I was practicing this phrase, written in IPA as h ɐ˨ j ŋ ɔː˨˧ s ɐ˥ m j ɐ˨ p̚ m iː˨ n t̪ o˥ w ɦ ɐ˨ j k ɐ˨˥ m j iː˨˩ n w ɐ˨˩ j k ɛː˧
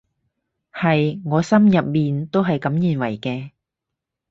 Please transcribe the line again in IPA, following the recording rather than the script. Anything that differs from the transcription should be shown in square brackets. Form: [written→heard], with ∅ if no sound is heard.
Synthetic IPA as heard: h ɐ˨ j ŋ ɔː˨˧ s ɐ˥ m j ɐ˨ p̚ m iː˨ n t̪ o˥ w ɦ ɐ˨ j k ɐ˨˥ m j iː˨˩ n w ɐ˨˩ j k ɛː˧